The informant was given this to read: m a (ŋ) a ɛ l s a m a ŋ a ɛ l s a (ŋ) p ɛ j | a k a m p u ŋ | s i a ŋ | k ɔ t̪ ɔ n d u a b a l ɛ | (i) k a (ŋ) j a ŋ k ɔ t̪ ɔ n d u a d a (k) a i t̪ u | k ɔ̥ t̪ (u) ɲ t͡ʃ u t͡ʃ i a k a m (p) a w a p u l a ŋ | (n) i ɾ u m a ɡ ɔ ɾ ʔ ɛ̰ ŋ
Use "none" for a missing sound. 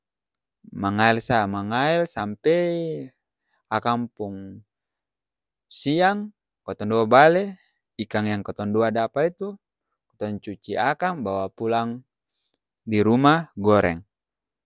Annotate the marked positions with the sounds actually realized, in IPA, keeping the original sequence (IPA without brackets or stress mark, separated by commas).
ŋ, m, i, ŋ, p, ɔ, b, d